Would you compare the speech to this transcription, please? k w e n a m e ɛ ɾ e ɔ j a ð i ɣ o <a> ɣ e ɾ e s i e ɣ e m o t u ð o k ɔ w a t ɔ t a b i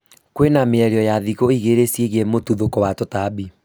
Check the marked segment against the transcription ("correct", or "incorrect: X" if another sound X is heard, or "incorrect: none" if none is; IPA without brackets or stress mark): incorrect: i